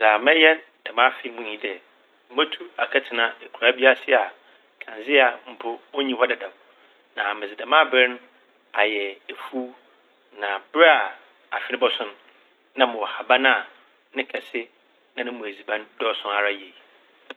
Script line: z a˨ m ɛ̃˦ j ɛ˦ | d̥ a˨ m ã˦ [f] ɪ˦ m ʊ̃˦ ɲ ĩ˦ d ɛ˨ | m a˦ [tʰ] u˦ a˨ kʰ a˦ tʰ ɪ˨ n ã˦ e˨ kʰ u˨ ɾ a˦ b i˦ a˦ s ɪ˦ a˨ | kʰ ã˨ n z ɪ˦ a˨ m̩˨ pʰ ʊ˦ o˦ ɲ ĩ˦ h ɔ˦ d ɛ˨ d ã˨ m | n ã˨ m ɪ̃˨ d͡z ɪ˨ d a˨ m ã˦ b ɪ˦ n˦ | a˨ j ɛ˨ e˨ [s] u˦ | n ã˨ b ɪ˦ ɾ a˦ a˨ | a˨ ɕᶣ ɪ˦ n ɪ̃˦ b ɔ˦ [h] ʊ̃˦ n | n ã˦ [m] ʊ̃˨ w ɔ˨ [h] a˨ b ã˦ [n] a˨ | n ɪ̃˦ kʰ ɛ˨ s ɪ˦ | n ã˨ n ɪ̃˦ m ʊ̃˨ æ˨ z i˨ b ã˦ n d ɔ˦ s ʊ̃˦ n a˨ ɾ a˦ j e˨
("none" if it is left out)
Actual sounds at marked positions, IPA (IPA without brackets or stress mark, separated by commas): f, tʰ, f, s, m, h, n